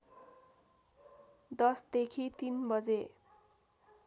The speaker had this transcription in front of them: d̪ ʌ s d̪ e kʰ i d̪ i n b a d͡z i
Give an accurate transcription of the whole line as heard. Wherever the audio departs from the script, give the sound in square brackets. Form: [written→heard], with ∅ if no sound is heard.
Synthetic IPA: d̪ ʌ s d̪ e kʰ i [d̪→t̪] i n b [a→ʌ] d͡z [i→e]